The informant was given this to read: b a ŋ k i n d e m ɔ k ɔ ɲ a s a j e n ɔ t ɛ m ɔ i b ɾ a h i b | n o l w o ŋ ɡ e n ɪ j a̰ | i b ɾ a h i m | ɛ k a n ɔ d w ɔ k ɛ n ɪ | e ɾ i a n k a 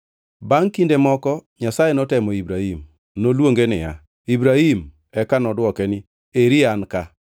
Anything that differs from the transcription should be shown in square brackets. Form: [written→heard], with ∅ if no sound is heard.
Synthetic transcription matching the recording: b a ŋ k i n d e m ɔ k ɔ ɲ a s a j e n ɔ t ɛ m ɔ i b ɾ a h i [b→m] | n o l w o ŋ ɡ e n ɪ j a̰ | i b ɾ a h i m | ɛ k a n ɔ d w ɔ k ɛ n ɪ | e ɾ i a n k a